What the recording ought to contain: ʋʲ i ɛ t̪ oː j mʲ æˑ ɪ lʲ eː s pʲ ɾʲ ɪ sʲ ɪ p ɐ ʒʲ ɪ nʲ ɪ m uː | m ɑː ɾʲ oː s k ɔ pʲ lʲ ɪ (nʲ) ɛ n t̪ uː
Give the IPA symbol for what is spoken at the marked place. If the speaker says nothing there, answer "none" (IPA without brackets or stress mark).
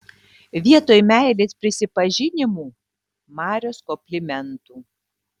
mʲ